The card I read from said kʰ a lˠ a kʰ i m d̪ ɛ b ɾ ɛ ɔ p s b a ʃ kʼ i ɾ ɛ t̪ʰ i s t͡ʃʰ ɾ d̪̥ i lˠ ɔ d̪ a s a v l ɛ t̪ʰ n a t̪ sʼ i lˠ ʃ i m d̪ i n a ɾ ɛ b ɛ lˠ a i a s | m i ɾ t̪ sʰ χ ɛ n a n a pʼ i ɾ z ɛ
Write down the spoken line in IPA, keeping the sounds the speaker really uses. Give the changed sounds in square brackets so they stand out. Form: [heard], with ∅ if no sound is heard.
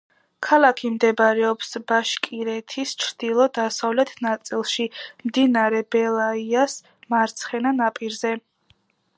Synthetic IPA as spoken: kʰ a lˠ a kʰ i m d̪ ɛ b ɾ ɛ ɔ p s b a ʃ kʼ i ɾ ɛ t̪ʰ i s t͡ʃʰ ɾ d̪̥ i lˠ ɔ d̪ a s a v l ɛ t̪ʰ n a t̪ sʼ i lˠ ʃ i m d̪ i n a ɾ ɛ b ɛ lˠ a i a s | m [a] ɾ t̪ sʰ χ ɛ n a n a pʼ i ɾ z ɛ